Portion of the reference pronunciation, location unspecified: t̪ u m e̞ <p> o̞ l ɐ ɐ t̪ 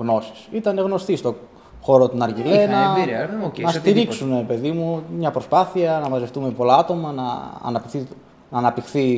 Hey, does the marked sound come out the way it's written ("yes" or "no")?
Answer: yes